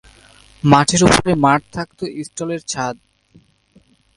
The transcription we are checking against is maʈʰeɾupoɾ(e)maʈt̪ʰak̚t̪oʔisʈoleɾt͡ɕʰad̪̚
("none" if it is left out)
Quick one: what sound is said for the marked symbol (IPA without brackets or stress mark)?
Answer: e